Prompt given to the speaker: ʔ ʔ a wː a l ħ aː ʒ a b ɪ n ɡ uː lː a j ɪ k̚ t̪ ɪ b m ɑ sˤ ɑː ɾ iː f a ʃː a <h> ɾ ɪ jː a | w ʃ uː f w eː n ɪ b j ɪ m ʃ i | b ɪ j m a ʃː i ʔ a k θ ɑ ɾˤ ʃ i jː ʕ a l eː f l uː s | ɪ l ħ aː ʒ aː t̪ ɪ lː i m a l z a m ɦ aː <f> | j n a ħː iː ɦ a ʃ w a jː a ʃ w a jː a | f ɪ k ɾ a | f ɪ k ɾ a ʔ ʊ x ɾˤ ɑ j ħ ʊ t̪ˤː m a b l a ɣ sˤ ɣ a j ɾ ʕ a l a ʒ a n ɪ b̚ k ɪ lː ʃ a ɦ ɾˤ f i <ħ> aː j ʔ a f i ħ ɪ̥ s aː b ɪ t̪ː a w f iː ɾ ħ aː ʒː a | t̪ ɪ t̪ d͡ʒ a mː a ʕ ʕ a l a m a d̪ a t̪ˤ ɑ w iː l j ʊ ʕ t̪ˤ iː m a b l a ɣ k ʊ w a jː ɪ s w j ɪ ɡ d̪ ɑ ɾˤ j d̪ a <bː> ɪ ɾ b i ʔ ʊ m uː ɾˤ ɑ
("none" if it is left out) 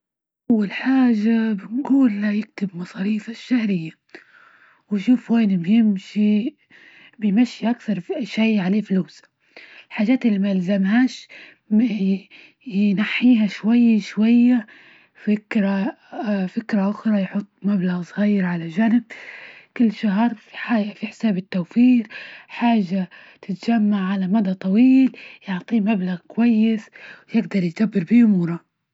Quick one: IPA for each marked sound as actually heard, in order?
h, ʃ, ħ, bː

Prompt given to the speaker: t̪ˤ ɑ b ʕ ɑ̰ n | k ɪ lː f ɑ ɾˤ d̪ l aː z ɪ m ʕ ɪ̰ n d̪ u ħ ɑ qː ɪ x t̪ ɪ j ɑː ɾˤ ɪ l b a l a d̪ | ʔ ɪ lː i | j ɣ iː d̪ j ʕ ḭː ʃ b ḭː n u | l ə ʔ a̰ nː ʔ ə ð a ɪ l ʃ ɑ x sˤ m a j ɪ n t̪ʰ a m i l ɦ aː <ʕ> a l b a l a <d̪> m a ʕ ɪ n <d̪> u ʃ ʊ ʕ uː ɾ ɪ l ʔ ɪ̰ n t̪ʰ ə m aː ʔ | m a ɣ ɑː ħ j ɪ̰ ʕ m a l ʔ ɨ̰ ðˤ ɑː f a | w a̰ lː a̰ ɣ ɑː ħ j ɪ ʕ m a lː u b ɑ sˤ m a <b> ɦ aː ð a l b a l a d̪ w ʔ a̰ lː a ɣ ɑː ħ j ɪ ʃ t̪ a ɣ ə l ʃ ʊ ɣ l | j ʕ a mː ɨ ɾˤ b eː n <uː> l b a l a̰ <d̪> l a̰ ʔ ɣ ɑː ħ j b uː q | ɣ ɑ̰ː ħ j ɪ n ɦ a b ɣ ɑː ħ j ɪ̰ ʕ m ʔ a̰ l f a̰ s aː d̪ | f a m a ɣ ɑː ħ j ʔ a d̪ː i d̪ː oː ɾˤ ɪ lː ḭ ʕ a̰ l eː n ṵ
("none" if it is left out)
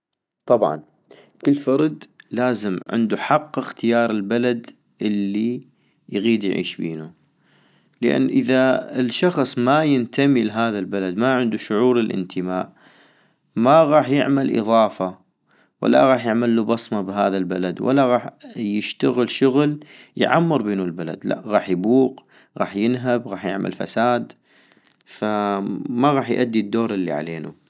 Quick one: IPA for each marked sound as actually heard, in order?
ð, d̪, d̪, b, u, d̪

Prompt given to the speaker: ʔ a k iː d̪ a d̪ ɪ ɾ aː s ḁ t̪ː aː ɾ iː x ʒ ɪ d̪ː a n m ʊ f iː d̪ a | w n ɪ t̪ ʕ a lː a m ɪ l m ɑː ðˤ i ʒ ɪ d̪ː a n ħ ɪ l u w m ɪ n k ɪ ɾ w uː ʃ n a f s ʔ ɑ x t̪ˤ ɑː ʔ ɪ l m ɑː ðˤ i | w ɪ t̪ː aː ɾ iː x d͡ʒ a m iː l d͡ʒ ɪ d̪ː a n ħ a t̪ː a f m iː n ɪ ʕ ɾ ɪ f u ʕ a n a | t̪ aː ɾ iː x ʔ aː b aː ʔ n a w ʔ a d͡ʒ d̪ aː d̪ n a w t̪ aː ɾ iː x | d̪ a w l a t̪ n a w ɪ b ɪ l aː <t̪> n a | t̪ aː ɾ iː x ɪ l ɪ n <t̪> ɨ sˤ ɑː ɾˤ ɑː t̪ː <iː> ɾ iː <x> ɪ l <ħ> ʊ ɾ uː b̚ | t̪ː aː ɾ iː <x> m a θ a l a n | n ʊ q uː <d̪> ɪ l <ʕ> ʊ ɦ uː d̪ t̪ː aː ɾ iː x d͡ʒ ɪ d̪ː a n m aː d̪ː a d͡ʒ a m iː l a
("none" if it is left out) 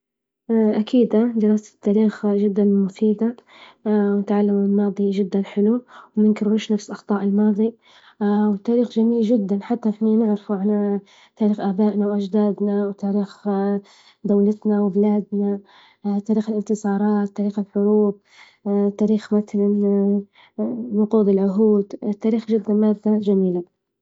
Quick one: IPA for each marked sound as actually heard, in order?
d̪, t̪, aː, x, ħ, x, d̪, ʕ

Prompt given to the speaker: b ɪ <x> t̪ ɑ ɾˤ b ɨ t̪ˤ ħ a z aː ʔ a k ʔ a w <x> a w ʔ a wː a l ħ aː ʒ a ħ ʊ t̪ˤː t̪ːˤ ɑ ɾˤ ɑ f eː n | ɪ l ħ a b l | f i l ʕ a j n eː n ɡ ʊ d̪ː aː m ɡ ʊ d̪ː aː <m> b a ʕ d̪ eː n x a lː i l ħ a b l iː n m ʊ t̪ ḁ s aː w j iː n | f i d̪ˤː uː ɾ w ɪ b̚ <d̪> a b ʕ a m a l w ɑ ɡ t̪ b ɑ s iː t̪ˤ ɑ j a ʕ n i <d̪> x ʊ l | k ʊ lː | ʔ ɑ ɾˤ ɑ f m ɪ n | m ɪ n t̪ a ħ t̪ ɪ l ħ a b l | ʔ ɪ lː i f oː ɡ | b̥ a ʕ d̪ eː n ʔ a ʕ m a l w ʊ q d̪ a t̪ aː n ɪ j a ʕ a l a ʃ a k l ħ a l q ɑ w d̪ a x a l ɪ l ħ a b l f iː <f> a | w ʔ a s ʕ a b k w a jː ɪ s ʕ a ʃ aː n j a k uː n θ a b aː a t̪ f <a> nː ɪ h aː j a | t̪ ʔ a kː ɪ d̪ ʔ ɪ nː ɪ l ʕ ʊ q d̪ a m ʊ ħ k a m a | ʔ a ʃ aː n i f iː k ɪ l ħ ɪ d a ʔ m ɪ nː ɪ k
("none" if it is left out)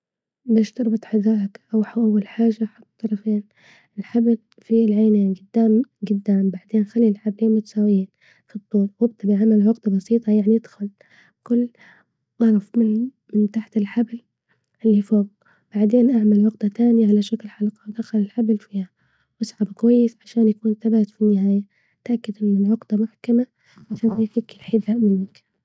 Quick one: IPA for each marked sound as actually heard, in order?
ʃ, ħ, m, t̪, d̪, h, i

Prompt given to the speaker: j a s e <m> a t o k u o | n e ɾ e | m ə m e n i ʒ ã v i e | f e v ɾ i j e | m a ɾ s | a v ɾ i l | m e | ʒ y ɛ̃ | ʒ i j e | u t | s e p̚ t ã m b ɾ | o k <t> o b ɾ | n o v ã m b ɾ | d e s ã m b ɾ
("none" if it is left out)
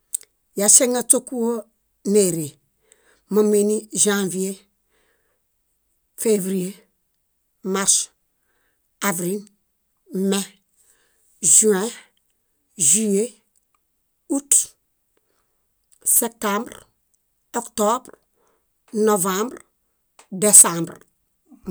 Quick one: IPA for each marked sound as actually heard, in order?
ŋ, t

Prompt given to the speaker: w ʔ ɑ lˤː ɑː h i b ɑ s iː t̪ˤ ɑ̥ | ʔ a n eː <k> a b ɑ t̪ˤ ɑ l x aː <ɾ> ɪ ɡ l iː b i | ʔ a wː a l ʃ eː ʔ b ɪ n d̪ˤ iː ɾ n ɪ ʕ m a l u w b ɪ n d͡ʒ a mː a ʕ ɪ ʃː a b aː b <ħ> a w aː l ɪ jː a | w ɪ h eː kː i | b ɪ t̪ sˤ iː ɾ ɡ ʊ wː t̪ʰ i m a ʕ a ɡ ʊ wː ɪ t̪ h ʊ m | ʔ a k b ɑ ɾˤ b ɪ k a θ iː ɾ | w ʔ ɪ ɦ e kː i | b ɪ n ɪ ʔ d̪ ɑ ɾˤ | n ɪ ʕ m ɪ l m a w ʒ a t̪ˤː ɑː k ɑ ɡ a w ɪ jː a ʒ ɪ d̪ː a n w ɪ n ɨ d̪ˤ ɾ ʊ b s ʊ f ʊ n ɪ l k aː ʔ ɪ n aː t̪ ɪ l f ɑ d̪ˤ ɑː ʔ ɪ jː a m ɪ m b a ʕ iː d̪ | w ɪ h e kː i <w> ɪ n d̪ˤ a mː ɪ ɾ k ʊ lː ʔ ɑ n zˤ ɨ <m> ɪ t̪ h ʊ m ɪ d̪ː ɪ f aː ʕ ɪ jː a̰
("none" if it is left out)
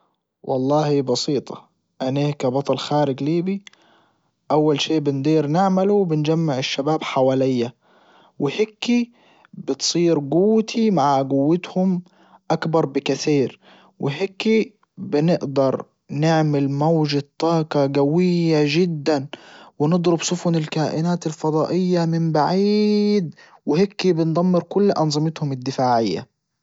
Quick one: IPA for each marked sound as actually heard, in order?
k, ɾ, ħ, b, m

